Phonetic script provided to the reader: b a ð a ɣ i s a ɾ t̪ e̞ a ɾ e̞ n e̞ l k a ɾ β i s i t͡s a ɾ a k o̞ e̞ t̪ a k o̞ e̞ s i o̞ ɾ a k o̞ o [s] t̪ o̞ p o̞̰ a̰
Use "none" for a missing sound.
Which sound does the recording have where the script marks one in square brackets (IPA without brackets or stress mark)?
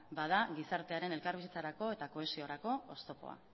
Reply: s